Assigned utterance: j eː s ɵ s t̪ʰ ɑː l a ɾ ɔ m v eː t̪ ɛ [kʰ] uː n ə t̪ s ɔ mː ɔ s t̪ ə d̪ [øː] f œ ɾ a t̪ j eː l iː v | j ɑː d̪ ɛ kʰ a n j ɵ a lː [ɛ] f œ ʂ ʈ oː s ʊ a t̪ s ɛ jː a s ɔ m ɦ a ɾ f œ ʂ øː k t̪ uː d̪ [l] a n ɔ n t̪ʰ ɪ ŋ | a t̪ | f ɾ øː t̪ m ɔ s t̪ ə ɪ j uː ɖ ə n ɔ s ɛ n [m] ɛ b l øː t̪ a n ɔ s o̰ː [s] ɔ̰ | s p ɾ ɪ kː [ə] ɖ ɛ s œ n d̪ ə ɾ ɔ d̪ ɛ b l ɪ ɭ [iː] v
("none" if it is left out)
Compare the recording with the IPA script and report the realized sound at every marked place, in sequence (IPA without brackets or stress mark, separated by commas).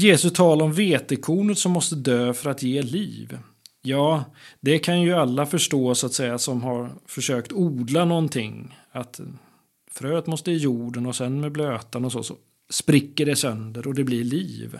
kʰ, øː, a, l, m, s, ə, iː